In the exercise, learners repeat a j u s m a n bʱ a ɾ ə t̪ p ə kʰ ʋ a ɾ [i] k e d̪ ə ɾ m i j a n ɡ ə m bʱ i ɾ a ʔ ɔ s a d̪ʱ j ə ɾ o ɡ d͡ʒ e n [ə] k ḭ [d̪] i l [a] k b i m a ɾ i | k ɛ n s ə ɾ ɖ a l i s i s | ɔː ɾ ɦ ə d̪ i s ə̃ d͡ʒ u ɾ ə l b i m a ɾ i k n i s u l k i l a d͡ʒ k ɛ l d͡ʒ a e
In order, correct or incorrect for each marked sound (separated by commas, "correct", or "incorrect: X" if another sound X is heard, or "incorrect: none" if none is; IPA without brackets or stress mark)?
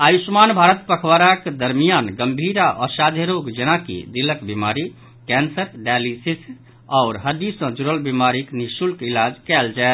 incorrect: a, incorrect: a, correct, incorrect: ə